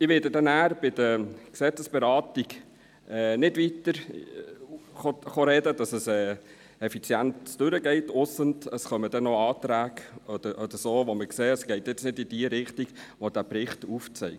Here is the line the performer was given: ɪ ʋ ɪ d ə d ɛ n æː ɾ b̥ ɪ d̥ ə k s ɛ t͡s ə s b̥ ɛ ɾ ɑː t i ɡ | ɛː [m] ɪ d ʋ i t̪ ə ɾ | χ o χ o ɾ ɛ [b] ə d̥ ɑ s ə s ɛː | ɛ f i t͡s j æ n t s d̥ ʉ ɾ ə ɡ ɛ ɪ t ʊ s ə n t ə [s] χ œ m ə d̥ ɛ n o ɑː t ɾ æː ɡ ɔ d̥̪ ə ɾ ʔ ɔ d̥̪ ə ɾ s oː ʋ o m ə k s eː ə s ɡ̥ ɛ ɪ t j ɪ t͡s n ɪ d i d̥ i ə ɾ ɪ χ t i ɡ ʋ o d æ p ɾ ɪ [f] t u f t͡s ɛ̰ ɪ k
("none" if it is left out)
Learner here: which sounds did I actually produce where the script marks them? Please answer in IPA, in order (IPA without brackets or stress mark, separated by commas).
n, d, s, χ